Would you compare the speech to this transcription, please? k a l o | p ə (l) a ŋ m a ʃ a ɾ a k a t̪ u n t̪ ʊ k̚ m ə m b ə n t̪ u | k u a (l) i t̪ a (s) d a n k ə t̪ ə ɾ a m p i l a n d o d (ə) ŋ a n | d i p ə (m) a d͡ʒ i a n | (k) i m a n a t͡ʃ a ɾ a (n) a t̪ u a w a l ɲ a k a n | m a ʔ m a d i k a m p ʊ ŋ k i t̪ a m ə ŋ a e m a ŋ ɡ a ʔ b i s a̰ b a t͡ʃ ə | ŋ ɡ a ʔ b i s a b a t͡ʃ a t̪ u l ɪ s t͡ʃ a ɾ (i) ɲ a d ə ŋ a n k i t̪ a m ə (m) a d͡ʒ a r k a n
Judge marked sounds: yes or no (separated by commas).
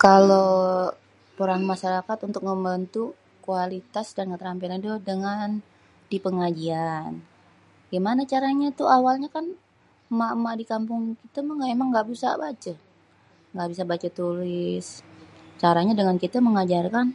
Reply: no, yes, yes, yes, no, no, no, no, no